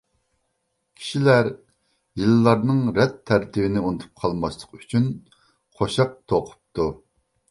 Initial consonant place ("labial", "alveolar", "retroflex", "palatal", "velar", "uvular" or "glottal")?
velar